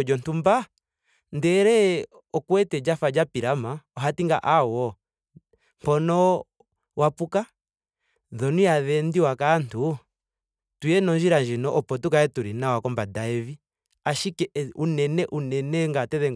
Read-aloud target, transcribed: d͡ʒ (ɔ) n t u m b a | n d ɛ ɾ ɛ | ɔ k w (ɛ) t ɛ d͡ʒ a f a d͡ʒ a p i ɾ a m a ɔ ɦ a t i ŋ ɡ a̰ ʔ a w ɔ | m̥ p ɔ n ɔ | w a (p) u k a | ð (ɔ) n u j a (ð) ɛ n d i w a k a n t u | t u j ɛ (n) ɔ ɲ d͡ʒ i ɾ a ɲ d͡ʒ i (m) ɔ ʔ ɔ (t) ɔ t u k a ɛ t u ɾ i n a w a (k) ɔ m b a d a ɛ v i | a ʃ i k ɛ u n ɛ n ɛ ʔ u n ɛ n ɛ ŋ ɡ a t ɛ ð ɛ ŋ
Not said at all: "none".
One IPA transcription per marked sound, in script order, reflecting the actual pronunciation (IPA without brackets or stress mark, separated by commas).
ɔ, ɛ, p, ɔ, ð, n, n, p, k